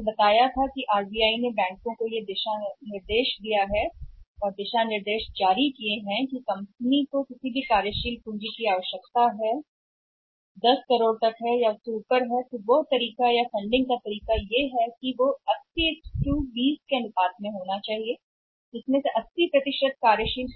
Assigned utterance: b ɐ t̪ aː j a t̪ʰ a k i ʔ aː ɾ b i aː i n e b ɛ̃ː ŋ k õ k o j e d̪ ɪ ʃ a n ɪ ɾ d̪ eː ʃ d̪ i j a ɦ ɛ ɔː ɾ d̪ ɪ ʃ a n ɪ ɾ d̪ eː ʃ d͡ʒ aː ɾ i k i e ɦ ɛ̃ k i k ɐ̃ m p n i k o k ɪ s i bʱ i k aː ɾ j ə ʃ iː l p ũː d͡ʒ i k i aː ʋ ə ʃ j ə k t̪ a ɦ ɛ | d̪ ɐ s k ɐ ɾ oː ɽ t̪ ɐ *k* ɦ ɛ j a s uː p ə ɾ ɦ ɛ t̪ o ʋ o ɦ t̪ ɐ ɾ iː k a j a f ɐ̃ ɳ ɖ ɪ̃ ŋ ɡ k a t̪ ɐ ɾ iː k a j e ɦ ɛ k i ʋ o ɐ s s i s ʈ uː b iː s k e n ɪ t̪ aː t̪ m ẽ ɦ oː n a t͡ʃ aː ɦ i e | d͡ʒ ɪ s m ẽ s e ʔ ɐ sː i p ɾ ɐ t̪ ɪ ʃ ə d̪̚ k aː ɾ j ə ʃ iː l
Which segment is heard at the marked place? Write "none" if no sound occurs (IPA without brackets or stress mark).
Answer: k